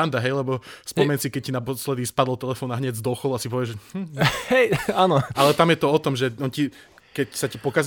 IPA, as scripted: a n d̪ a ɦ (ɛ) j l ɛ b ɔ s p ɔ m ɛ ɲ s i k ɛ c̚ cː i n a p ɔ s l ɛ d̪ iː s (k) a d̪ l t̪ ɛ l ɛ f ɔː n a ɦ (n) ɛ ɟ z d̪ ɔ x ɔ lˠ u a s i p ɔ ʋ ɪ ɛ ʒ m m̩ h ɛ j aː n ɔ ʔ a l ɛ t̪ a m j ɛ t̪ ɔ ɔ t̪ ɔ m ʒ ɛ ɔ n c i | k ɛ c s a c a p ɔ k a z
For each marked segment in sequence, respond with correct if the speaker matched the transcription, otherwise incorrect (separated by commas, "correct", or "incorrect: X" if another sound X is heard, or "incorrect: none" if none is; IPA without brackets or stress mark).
correct, incorrect: p, incorrect: ɲ